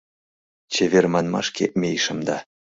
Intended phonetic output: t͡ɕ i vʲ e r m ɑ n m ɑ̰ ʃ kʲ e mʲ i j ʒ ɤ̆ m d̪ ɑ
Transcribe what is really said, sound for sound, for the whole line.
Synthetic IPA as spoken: t͡ɕ e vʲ e r m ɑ n m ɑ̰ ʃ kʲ e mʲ e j ʃ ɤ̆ m d̪ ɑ